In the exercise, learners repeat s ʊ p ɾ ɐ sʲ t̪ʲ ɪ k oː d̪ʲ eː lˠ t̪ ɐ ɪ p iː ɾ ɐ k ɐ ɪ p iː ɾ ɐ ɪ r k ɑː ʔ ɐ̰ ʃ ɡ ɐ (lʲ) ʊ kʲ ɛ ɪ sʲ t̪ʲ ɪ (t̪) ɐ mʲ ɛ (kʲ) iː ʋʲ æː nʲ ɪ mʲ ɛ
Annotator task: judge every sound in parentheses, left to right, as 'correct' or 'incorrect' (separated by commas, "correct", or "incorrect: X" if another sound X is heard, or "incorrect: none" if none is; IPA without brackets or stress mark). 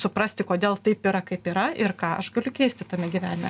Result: correct, correct, incorrect: ɡʲ